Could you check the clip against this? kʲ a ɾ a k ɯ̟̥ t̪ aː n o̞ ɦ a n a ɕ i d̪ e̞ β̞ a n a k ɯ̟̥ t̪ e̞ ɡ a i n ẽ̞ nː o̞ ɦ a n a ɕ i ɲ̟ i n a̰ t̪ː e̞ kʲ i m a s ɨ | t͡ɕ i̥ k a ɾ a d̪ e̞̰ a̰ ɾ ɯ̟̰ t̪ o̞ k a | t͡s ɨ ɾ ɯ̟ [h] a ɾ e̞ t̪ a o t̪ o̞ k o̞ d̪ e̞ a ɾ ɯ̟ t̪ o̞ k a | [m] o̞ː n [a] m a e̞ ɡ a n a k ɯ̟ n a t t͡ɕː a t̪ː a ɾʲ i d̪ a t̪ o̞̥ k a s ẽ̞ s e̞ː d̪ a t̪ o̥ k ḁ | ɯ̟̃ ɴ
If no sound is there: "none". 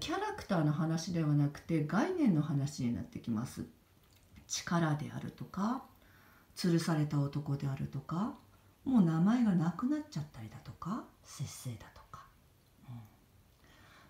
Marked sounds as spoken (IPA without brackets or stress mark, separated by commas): s, m, a